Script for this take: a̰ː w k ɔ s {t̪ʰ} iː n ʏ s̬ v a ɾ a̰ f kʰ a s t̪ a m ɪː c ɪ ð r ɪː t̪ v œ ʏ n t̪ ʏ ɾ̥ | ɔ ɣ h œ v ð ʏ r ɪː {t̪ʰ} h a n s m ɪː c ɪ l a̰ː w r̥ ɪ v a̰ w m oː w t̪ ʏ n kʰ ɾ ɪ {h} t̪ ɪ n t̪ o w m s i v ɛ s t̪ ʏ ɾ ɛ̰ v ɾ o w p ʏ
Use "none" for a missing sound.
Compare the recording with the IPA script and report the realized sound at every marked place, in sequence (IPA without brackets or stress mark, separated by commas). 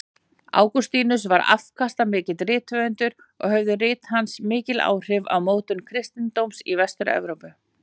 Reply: t̪, t̪, s